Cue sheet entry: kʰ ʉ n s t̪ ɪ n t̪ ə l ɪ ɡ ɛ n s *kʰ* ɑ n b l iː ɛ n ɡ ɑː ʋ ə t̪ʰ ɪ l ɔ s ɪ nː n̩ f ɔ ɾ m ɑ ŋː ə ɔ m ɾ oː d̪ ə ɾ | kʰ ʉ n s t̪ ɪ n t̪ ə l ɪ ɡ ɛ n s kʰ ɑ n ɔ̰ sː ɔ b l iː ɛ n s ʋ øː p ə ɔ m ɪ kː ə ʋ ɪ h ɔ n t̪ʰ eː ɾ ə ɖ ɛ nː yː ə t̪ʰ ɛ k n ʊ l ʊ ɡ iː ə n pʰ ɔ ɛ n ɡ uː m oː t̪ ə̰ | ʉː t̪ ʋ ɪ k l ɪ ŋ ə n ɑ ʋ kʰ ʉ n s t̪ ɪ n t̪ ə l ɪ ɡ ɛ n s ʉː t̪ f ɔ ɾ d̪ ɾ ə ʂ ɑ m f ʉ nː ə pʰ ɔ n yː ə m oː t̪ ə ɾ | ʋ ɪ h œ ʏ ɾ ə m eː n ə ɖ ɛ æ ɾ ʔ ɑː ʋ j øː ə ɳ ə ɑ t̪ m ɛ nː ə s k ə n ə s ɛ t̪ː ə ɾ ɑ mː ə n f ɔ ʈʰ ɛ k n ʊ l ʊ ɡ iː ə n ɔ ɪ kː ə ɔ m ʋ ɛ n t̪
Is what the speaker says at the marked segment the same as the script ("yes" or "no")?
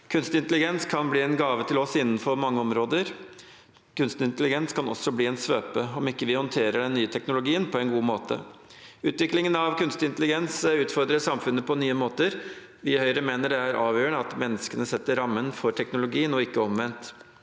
yes